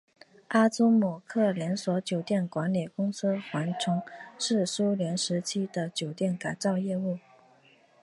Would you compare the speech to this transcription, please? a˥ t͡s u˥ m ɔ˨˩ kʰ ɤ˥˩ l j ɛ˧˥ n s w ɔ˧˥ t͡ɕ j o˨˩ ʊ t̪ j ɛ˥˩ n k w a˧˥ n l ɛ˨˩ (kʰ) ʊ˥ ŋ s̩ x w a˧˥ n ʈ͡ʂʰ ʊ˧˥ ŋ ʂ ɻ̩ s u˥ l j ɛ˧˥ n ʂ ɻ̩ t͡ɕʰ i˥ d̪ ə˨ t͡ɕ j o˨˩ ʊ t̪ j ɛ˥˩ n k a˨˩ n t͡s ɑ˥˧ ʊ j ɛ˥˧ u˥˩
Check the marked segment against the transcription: incorrect: k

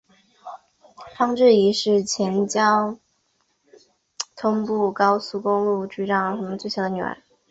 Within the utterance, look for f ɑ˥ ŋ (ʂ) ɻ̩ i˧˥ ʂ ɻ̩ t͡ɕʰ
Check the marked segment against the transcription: incorrect: ʈ͡ʂ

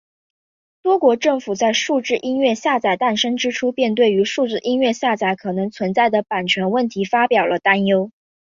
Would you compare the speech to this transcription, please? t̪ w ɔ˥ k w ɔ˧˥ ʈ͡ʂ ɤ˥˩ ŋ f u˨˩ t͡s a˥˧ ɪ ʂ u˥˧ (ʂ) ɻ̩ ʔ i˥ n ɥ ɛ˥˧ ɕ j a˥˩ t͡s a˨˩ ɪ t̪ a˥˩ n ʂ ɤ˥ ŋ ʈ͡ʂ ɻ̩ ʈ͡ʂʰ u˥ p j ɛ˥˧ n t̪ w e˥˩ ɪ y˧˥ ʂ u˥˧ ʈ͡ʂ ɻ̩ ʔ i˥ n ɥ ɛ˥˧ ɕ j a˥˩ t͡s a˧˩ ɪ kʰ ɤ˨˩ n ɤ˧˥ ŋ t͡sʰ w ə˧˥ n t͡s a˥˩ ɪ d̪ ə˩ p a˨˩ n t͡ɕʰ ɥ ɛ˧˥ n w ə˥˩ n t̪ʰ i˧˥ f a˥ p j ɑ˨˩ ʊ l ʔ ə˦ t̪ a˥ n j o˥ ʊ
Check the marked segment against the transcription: incorrect: ʈ͡ʂ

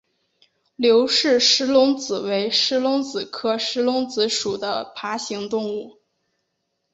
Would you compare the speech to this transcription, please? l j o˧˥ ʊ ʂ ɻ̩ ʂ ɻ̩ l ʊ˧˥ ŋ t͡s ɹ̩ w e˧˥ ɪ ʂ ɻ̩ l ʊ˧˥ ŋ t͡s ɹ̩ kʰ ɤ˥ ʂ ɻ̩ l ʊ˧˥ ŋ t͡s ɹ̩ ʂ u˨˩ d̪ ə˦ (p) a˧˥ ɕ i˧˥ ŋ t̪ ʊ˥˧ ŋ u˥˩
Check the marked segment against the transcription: incorrect: pʰ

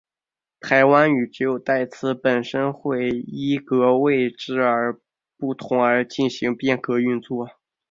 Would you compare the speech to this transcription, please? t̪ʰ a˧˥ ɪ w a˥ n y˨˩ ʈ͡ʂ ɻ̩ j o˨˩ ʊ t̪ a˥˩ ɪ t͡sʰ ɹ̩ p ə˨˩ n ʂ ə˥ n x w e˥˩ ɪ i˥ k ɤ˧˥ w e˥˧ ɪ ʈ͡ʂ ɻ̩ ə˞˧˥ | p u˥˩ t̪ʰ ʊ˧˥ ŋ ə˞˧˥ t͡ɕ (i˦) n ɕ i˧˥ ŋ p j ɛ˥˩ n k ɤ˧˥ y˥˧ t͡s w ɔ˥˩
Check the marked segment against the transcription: incorrect: i˥˩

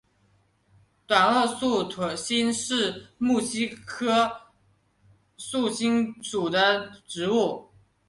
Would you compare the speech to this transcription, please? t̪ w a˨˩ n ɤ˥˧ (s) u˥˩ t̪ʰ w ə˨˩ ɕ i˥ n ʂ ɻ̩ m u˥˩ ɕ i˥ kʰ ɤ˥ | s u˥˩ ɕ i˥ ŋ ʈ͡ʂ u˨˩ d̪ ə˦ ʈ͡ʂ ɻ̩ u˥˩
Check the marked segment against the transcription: correct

